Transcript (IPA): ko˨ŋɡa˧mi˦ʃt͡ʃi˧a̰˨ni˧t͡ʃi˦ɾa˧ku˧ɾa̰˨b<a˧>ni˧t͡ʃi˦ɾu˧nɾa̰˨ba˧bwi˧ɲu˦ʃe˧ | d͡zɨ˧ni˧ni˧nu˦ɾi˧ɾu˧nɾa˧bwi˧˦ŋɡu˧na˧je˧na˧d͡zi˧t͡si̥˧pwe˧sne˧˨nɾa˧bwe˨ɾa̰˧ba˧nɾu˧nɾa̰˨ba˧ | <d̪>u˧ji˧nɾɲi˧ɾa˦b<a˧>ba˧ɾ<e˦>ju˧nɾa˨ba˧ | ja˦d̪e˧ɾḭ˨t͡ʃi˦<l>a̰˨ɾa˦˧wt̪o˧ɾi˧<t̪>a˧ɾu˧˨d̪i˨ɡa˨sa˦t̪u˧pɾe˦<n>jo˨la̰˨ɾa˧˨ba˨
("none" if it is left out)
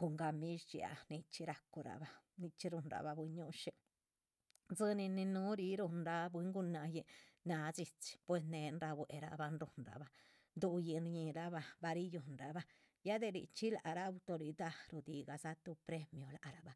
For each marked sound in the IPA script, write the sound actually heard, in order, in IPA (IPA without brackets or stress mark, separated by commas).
a˧, d̪, a˧, i˦, l, d̪, m